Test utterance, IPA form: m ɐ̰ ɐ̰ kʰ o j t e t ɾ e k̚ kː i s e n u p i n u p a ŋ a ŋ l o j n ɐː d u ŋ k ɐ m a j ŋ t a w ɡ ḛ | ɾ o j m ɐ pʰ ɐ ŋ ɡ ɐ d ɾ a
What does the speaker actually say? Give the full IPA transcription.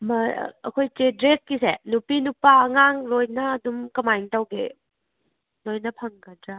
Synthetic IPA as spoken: m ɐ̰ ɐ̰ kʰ o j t e d ɾ e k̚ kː i s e n u p i n u p a ŋ a ŋ l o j n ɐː d u m k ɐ m a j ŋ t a w ɡ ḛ | l o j n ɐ pʰ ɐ ŋ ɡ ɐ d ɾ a